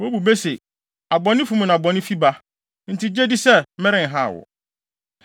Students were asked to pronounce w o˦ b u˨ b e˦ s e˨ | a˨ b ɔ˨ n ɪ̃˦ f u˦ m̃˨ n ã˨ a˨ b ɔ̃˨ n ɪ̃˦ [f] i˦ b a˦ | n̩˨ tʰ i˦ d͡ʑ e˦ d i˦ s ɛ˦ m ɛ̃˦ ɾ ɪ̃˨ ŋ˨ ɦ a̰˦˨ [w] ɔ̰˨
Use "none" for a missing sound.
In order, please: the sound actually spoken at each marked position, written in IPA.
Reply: f, w

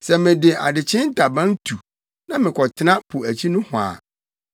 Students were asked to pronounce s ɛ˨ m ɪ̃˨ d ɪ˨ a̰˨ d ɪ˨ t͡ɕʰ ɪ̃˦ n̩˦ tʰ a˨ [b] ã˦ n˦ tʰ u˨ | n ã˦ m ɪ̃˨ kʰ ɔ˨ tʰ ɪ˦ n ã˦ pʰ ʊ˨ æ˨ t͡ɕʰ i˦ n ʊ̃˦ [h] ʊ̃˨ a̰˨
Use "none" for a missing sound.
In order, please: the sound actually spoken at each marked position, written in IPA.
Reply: b, h

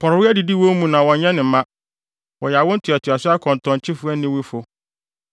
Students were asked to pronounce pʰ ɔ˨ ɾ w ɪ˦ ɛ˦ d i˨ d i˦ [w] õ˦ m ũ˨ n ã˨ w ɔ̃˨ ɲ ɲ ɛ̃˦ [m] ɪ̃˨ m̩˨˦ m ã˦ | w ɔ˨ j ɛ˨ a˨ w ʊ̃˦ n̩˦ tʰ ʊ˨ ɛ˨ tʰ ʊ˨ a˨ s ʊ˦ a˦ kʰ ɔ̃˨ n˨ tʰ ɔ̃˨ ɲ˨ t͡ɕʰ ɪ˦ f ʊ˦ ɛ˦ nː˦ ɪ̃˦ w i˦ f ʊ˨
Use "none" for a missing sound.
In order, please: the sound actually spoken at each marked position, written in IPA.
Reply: w, n

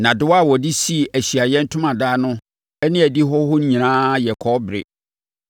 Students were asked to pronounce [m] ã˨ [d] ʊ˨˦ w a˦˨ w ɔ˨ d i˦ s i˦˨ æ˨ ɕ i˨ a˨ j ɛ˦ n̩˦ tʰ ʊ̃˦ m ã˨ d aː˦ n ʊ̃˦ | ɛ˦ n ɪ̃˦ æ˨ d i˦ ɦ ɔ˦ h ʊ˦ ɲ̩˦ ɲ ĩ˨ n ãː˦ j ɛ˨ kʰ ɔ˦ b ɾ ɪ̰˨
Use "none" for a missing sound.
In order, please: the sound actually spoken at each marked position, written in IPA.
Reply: n, d

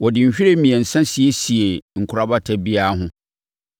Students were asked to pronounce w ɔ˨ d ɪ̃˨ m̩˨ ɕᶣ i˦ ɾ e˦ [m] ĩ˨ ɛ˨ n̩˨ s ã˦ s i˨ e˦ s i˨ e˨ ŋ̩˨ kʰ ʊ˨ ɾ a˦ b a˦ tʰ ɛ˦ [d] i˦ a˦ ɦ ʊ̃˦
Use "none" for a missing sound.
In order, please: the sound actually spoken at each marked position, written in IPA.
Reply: m, b

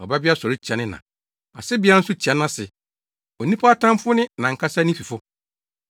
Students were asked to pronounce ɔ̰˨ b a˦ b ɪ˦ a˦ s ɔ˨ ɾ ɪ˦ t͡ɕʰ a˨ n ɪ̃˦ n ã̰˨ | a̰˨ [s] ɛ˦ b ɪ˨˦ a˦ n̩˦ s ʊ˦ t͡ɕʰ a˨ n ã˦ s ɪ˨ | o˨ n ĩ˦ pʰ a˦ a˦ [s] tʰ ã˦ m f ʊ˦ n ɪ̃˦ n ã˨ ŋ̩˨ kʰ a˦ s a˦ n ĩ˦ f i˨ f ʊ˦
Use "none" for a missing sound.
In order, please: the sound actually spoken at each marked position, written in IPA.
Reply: s, none

